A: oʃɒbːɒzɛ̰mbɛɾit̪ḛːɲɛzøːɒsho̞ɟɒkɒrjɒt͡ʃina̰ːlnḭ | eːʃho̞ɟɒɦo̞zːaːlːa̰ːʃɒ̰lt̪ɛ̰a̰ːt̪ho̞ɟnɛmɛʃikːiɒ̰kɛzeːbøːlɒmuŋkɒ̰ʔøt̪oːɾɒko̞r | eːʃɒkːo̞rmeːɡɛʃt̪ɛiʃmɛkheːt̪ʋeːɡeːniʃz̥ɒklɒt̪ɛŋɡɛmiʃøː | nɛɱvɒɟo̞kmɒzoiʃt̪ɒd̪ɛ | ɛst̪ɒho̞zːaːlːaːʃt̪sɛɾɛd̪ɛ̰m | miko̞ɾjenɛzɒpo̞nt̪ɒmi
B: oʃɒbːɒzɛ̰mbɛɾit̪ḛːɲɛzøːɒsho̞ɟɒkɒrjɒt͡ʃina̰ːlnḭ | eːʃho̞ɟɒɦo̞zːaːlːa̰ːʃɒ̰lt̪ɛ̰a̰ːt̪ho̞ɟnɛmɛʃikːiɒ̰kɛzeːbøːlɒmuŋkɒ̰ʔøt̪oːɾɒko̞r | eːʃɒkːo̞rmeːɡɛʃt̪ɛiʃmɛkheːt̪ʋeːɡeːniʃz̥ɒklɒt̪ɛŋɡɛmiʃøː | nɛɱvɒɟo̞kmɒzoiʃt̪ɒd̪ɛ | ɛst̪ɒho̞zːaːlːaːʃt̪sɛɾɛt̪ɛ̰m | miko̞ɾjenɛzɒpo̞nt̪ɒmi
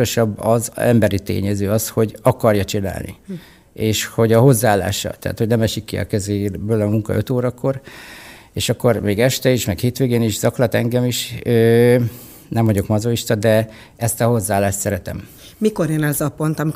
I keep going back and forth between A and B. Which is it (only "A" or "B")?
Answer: B